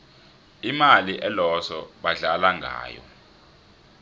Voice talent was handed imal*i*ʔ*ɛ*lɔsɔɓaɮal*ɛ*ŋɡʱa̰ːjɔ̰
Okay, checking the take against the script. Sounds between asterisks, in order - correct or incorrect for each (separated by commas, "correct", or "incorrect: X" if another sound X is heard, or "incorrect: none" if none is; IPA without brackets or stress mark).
correct, correct, incorrect: a